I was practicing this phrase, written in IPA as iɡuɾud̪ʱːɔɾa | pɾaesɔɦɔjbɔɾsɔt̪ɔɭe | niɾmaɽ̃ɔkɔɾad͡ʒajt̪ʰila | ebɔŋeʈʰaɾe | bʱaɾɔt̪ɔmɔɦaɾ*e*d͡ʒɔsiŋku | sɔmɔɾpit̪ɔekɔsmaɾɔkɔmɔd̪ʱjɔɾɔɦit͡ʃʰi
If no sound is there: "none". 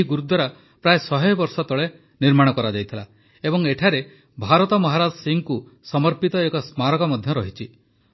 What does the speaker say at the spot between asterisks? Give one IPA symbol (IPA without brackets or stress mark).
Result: a